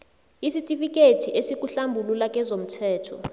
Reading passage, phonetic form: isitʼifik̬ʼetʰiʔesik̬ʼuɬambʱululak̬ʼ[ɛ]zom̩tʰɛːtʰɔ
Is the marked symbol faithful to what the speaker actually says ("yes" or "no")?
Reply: yes